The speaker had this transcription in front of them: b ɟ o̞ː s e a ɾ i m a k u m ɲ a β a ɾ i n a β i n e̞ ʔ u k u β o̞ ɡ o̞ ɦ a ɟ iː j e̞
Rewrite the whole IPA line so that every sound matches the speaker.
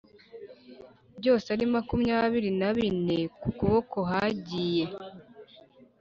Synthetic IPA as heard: b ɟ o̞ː s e a ɾ i m a k u m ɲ a β i ɾ i n a β i n e̞ k u k u β o̞ k o̞ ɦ a ɟ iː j e̞

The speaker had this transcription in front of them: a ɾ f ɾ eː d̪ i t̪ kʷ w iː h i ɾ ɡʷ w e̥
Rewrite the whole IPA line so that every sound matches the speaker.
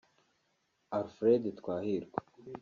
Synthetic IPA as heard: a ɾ f ɾ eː d̪ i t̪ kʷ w aː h i ɾ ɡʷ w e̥

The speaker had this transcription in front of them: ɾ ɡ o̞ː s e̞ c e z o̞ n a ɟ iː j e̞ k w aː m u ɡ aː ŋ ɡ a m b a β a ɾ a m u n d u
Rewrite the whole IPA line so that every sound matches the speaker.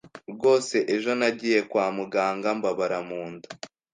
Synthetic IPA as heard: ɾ ɡ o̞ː s e̞ ʔ e ʒ o̞ n a ɟ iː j e̞ k w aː m u ɡ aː ŋ ɡ a m b a β a ɾ a m uː n d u

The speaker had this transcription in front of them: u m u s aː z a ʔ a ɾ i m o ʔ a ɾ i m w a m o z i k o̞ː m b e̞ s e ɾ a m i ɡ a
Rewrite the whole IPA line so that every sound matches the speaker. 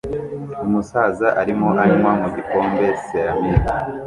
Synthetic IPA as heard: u m u s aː z a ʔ a ɾ i m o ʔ a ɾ i m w a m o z i k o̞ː m b e̞ s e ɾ a m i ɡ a

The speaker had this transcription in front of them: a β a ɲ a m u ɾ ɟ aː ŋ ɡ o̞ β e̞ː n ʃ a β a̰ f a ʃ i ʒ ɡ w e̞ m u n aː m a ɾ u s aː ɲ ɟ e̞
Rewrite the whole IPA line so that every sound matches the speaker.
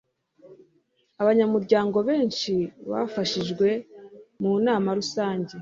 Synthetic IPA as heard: a β a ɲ a m u ɾ ɟ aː ŋ ɡ o̞ β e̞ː n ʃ i β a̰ f a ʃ i ʒ ɡ w e̞ m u n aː m a ɾ u s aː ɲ ɟ e̞

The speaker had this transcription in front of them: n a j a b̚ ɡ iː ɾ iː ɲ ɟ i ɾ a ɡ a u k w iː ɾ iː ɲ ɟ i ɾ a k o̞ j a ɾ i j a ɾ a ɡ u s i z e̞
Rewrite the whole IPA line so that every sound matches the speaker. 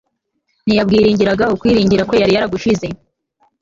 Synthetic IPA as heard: n i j a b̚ ɡ iː ɾ iː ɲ ɟ i ɾ a ɡ a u k w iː ɾ iː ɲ ɟ i ɾ a k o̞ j a ɾ i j a ɾ a ɡ u ʃ i z e̞

